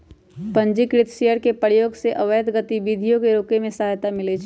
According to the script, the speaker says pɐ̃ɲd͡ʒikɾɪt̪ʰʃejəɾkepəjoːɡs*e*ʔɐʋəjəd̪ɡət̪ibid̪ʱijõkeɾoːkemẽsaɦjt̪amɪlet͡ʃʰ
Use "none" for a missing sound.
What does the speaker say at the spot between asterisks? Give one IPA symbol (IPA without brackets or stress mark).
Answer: e